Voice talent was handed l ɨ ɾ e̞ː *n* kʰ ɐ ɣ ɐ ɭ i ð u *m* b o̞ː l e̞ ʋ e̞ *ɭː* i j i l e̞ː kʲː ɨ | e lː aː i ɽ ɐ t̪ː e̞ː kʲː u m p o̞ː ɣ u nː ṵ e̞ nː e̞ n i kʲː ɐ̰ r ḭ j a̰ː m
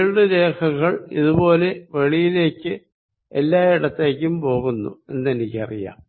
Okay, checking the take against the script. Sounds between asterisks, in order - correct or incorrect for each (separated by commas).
incorrect, incorrect, incorrect